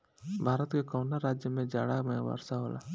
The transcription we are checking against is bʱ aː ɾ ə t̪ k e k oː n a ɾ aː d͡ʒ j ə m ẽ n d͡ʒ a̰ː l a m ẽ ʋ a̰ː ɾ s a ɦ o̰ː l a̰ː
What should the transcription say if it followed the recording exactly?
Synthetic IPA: bʱ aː ɾ ə t̪ k e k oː n a ɾ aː d͡ʒ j ə m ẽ d͡ʒ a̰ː ɽ a m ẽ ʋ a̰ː ɾ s a ɦ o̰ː l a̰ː